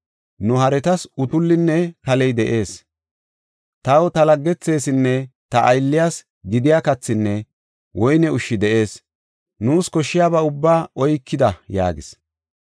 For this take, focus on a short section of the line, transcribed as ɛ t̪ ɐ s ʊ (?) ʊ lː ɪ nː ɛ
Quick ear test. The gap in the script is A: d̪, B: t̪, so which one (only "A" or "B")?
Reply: B